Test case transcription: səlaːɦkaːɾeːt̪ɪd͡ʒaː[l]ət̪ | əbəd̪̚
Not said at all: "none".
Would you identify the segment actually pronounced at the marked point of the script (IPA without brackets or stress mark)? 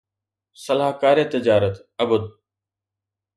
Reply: ɾ